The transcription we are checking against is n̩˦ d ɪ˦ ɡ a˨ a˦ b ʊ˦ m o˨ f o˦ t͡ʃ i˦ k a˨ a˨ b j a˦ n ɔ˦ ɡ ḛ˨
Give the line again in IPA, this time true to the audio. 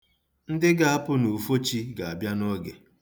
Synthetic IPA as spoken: n̩˦ d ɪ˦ ɡ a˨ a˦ p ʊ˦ n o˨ f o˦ t͡ʃ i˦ ɡ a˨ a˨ b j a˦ n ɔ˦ ɡ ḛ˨